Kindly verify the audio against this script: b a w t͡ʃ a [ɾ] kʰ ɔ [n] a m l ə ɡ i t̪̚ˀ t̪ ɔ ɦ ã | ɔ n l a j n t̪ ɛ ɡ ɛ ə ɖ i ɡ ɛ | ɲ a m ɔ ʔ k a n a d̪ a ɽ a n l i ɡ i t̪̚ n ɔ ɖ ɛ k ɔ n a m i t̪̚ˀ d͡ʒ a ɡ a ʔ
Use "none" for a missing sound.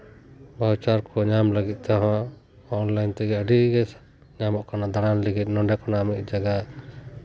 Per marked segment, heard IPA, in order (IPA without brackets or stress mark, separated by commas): ɾ, ɲ